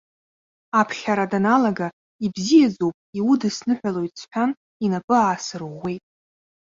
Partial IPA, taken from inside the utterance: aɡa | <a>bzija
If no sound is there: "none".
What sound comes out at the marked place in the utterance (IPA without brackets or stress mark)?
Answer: i